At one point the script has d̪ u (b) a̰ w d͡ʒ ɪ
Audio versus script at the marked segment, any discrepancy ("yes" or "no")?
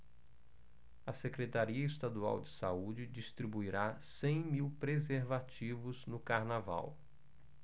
yes